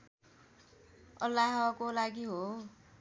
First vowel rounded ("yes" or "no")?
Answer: no